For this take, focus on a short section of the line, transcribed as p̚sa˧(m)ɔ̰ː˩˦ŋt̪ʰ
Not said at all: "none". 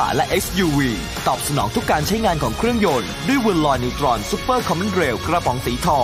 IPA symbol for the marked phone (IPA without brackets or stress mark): n